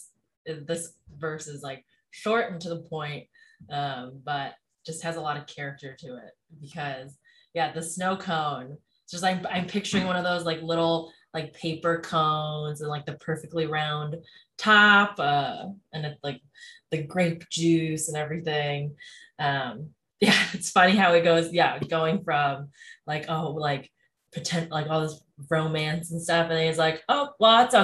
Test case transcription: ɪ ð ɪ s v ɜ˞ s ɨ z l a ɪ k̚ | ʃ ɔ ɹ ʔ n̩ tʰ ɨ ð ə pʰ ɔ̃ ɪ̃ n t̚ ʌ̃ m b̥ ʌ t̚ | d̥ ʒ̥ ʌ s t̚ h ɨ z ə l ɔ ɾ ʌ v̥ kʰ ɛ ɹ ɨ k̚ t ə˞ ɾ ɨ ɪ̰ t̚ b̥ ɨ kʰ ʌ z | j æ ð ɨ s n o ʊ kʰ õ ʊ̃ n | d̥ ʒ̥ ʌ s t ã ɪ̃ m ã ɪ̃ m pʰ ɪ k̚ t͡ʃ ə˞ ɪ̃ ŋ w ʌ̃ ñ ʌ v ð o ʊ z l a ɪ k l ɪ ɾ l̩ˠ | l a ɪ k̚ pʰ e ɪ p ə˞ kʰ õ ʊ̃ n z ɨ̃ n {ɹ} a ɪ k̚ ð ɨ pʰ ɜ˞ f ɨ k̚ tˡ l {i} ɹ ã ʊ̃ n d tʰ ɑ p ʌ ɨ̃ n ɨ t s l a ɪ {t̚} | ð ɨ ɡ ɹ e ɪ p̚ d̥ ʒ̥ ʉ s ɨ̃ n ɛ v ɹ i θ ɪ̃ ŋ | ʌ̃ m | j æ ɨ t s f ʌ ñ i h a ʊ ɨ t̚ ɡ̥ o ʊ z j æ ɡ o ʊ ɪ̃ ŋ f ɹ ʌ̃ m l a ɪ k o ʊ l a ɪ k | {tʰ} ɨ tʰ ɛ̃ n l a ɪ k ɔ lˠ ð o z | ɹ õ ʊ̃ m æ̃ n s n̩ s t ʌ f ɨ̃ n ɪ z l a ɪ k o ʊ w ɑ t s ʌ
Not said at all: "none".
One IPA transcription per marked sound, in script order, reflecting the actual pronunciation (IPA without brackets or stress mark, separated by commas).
l, i, k̚, pʰ